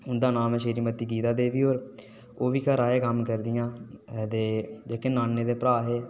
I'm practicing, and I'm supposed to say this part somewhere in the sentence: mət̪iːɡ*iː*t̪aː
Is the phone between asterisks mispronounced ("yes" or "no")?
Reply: no